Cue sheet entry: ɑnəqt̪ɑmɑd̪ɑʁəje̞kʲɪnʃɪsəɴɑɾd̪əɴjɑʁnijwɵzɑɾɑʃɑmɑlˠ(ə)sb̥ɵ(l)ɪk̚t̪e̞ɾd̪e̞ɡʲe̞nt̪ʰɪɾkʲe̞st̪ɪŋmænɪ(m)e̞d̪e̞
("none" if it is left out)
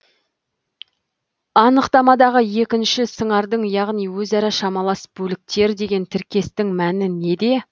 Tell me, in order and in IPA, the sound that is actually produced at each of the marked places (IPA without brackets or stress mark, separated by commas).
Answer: ɑ, l, n